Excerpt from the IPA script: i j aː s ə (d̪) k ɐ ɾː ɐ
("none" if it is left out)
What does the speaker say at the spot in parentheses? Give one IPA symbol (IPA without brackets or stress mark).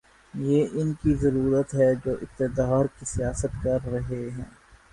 t̪